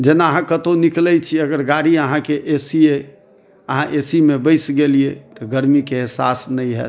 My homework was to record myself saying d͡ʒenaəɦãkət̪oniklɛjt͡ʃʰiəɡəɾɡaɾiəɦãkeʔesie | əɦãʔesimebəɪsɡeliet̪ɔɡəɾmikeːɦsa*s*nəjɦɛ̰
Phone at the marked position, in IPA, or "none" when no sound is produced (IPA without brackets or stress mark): s